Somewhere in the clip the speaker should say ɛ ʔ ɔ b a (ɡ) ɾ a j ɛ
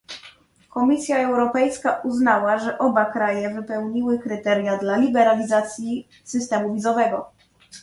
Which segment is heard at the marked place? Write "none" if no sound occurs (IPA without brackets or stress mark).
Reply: k